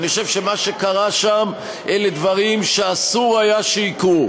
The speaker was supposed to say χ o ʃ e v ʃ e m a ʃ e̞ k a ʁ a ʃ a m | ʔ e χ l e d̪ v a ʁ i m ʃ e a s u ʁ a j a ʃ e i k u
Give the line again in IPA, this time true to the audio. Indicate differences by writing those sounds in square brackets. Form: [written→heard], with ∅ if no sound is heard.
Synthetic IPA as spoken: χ o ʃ e v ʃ e m a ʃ e̞ k a ʁ a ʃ a m | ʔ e [χ→∅] l e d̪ v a ʁ i m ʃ e a s u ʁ a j a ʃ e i k u